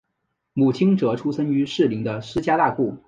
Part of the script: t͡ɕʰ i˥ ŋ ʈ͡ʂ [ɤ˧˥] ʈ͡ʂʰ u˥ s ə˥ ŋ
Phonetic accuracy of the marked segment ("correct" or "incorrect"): correct